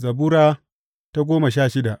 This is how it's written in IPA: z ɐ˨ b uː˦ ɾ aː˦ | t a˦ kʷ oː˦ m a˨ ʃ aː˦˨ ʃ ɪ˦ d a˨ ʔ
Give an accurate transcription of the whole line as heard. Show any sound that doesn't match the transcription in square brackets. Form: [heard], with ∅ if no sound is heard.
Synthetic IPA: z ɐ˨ b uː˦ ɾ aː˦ | t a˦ [ɡʷ] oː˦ m a˨ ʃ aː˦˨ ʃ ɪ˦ d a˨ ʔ